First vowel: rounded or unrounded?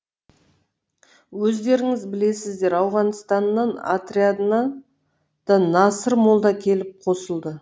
rounded